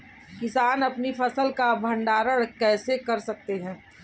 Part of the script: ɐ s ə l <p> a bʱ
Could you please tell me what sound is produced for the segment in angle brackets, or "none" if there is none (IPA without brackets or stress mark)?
k